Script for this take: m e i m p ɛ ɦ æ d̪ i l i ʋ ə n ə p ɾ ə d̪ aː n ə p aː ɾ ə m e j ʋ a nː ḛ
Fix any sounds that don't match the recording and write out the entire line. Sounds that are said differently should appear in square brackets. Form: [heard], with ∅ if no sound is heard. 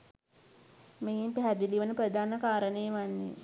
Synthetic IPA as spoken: m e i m p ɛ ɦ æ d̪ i l i ʋ ə n ə p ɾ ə d̪ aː n ə [k] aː ɾ ə [n] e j ʋ a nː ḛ